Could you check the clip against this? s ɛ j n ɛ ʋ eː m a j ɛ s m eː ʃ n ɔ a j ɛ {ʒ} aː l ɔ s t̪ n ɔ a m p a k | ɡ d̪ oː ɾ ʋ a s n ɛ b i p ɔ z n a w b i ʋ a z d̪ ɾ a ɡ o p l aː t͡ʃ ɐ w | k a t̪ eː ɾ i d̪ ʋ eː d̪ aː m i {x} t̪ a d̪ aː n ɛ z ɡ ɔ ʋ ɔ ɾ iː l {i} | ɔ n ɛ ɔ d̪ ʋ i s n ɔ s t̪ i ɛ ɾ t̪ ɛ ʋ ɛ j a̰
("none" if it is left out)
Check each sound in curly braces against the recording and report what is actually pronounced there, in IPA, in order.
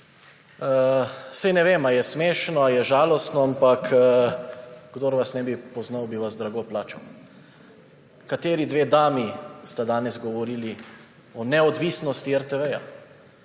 ʒ, s, i

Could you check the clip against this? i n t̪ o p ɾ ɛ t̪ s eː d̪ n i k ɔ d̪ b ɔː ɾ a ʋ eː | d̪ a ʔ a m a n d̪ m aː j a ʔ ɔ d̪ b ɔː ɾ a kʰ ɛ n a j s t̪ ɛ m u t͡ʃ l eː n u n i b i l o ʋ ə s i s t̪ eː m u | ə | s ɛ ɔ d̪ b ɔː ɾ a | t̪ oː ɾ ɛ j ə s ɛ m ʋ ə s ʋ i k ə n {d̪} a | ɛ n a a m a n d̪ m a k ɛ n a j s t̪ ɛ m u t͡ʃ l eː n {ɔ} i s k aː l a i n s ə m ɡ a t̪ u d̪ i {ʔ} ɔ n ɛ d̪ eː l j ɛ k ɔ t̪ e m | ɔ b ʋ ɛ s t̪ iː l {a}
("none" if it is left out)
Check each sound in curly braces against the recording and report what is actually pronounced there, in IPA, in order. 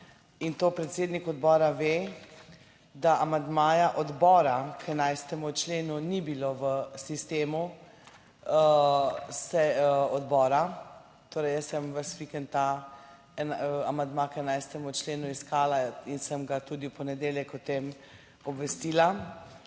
t̪, u, p, a

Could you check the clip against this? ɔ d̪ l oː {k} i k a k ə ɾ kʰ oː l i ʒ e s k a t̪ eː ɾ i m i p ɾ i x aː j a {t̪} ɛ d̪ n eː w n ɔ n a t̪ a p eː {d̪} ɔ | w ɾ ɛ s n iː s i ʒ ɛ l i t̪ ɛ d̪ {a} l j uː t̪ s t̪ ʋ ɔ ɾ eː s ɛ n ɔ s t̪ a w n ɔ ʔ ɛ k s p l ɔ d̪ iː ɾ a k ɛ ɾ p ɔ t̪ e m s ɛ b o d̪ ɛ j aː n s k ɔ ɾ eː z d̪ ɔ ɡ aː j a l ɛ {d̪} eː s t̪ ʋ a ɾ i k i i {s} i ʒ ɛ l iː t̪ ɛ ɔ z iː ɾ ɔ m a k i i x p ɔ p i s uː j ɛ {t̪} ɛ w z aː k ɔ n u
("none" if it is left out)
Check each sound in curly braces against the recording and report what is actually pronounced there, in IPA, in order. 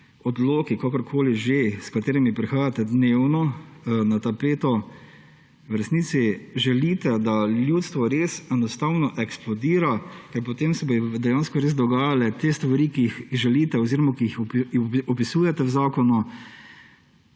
k, t̪, t̪, a, t̪, x, t̪

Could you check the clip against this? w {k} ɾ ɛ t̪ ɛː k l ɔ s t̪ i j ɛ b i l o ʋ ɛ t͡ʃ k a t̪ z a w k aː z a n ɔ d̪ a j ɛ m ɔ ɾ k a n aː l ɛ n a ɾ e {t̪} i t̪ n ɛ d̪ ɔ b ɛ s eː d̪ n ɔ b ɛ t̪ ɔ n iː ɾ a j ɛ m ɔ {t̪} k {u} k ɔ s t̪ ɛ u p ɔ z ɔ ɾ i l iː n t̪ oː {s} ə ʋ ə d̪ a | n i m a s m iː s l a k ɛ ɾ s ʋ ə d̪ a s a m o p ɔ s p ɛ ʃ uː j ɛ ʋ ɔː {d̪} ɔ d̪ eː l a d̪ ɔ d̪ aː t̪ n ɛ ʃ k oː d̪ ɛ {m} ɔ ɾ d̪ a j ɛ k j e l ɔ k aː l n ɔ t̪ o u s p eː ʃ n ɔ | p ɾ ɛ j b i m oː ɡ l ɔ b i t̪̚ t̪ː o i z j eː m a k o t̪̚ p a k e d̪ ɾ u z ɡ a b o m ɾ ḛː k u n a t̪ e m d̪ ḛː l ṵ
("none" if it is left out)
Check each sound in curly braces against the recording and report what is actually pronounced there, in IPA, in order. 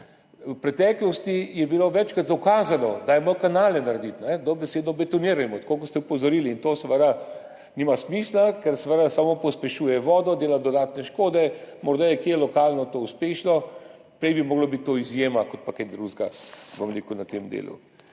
p, d̪, t̪, o, s, d̪, m

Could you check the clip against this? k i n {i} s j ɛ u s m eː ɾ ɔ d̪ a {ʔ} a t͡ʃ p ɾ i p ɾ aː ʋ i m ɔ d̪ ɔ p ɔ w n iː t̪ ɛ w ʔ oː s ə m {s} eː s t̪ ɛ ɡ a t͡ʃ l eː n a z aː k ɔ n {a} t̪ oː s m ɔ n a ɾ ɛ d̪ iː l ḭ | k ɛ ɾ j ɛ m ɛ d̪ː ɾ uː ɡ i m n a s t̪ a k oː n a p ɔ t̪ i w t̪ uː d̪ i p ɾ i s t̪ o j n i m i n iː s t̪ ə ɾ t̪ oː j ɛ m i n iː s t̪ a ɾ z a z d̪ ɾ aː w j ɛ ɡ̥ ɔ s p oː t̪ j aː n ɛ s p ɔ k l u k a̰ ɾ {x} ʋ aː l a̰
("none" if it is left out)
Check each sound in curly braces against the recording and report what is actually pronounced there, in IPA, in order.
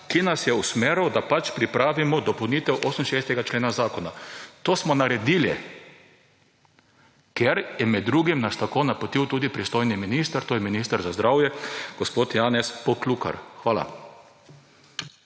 a, p, ʃ, a, x

